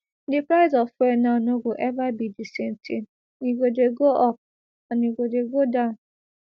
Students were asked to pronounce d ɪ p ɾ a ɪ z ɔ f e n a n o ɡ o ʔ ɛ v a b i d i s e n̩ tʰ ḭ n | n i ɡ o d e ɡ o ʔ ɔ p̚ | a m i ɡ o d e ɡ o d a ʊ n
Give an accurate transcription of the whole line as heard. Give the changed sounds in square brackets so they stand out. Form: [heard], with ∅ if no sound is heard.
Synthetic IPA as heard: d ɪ p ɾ a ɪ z ɔ f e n a n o ɡ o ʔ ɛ v a b i d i s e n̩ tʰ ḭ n | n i ɡ o d e ɡ o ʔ ɔ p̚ | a [n] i ɡ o d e ɡ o d a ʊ n